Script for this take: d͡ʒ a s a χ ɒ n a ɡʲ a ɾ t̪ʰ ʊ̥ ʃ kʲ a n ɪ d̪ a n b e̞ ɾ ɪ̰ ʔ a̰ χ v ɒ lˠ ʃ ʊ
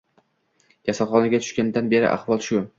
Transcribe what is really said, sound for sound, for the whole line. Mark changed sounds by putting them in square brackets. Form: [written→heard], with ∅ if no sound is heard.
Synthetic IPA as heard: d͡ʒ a s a χ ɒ n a ɡʲ a [ɾ→∅] t̪ʰ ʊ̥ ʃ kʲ a n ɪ d̪ a n b e̞ ɾ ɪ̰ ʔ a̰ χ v ɒ lˠ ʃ ʊ